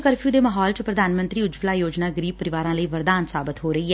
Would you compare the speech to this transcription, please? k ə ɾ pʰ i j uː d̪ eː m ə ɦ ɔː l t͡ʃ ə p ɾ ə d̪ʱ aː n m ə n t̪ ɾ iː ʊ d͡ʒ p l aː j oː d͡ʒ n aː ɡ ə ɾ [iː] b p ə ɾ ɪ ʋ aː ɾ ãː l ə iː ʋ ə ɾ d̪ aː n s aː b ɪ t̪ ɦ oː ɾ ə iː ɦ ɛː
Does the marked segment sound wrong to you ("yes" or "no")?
no